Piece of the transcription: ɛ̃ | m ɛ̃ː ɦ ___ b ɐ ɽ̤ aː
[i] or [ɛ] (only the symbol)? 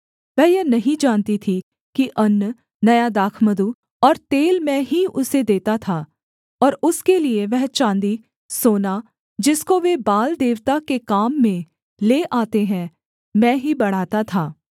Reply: i